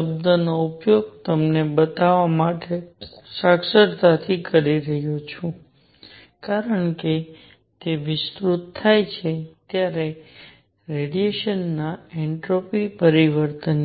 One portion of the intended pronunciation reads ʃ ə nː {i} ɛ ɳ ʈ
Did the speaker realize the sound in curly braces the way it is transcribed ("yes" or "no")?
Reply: no